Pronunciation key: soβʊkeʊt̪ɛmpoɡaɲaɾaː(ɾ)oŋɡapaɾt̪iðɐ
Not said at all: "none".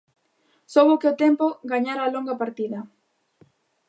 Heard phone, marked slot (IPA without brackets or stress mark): l